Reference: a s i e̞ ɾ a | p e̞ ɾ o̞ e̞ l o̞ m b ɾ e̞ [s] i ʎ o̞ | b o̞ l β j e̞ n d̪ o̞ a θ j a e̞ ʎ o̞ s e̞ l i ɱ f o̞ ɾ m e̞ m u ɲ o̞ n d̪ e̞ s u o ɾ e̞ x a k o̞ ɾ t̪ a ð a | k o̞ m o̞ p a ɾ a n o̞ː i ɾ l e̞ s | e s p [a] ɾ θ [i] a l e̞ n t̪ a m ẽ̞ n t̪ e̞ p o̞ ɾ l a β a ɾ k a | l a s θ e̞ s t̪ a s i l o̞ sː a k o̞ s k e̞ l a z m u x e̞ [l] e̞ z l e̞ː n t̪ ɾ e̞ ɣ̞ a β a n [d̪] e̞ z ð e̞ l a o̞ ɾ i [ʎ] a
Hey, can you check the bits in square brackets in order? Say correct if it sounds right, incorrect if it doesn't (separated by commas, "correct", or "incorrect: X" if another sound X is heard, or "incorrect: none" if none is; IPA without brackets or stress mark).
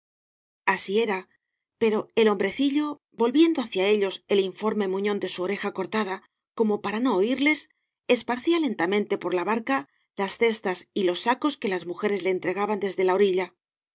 incorrect: θ, correct, correct, incorrect: ɾ, correct, correct